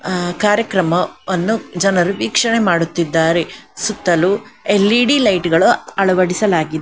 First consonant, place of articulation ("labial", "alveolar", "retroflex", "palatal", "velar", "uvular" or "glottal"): velar